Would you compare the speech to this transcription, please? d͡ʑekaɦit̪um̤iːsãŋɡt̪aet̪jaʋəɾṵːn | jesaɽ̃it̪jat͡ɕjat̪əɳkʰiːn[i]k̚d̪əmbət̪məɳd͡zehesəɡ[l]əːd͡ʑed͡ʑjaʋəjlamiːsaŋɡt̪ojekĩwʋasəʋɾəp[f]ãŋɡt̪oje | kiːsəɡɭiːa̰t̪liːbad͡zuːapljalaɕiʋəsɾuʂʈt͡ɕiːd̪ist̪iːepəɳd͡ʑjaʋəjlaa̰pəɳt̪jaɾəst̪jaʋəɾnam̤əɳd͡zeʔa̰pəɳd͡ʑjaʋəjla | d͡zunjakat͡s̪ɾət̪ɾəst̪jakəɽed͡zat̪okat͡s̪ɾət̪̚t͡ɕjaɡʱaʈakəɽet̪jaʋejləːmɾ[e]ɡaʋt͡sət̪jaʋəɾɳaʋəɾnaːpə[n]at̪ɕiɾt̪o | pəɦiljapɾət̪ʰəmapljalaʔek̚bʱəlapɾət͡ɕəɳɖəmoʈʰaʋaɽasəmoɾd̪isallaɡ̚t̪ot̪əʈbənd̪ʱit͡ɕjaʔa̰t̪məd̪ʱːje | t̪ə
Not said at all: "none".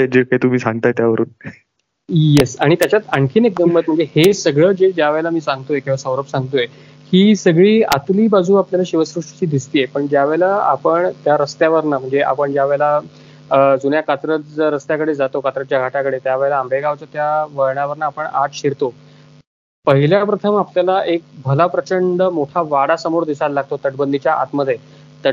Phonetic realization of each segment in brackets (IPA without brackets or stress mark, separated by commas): e, ɭ, s, e, ɳ